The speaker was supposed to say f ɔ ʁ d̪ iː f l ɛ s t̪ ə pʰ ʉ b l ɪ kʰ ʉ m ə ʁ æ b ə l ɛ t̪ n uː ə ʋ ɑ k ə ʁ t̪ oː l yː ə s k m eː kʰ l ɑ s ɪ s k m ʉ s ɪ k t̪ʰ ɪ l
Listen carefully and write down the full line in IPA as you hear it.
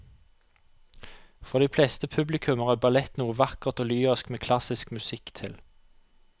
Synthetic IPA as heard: f ɔ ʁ d̪ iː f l ɛ s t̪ ə pʰ ʉ b l ɪ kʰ ʉ m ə ʁ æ b ɑ l ɛ t̪ n uː ə ʋ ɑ k ə ʁ t̪ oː l yː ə s k m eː kʰ l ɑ s ɪ s k m ʉ s ɪ k t̪ʰ ɪ l